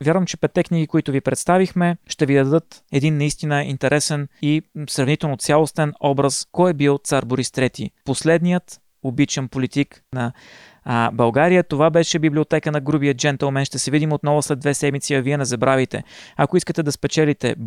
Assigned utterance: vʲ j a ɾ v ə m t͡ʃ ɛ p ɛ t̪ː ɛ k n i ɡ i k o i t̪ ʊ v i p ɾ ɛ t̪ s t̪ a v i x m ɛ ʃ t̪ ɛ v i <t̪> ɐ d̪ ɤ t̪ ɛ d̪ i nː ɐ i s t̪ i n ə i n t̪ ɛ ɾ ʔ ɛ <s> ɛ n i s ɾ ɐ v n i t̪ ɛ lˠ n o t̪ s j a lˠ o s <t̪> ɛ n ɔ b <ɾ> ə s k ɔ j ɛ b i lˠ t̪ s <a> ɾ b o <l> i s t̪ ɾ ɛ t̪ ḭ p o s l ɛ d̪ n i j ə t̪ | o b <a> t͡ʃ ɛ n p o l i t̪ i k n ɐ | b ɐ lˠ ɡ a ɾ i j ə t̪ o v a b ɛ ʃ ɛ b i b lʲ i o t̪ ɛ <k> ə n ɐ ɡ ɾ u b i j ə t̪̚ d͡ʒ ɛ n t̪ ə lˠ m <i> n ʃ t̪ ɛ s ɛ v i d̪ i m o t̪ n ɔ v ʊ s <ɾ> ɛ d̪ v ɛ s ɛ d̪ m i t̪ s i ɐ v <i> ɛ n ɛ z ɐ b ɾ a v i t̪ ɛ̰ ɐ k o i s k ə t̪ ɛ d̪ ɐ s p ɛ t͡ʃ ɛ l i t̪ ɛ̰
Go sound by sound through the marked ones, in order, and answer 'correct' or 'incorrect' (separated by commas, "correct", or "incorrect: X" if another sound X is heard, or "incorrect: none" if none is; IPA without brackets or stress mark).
incorrect: d̪, correct, correct, correct, correct, incorrect: ɾ, incorrect: i, correct, incorrect: ɛ, incorrect: l, correct